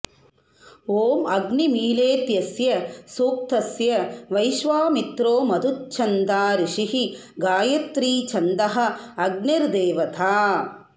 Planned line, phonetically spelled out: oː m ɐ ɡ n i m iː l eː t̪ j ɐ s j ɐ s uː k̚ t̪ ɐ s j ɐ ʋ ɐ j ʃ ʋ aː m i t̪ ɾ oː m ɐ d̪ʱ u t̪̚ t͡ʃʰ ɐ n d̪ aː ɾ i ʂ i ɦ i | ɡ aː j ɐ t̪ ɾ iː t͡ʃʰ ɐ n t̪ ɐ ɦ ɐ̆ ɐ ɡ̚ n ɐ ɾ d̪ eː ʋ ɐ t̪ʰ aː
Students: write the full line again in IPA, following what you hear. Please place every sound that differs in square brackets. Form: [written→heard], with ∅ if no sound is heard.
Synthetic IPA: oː m ɐ ɡ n i m iː l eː t̪ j ɐ s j ɐ s uː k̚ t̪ ɐ s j ɐ ʋ ɐ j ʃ ʋ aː m i t̪ ɾ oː m ɐ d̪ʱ u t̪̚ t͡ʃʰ ɐ n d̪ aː ɾ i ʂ i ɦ i | ɡ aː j ɐ t̪ ɾ iː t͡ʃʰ ɐ n [t̪→d̪] ɐ ɦ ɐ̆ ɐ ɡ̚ n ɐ ɾ d̪ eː ʋ ɐ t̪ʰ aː